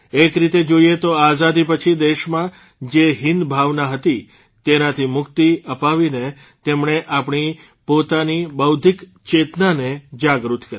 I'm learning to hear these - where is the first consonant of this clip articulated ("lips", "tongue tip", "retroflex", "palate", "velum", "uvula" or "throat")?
velum